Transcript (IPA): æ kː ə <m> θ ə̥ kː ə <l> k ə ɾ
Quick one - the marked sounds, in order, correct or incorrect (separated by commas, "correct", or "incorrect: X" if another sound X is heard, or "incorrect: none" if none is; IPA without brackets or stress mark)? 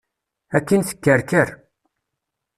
incorrect: n, incorrect: ɾ